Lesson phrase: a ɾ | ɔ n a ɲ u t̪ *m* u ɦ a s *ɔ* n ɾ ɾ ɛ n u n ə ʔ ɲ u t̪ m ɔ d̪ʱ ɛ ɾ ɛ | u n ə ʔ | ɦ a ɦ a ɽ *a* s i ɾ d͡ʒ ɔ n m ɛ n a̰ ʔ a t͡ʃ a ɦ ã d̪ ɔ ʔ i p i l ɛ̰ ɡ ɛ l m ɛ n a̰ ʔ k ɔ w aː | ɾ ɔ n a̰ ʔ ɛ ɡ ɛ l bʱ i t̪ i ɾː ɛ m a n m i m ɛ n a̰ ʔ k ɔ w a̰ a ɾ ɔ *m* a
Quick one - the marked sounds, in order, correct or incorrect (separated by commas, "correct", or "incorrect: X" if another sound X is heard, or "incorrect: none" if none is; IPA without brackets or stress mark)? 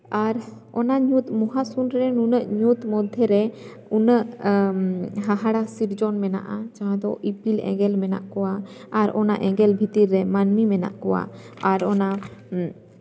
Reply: correct, incorrect: u, correct, incorrect: n